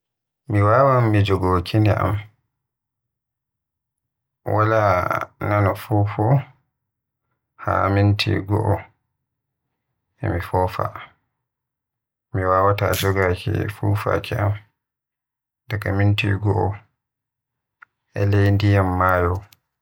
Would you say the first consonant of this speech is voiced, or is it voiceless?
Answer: voiced